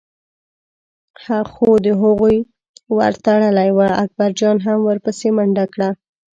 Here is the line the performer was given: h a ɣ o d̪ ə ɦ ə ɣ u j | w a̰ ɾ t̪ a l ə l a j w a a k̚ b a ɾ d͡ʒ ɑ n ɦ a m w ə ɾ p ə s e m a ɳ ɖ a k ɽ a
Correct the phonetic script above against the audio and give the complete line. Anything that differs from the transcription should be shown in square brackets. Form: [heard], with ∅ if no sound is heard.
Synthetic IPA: h a [x] o d̪ ə ɦ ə ɣ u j | w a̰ ɾ t̪ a [ɽ] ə l a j w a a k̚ b a ɾ d͡ʒ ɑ n ɦ a m w ə ɾ p ə s e m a ɳ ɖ a k ɽ a